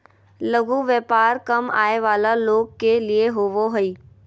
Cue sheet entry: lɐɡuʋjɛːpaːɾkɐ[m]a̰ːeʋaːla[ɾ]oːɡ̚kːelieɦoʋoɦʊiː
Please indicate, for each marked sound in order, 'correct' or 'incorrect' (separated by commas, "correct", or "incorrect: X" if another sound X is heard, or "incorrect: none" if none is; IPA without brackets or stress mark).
correct, incorrect: l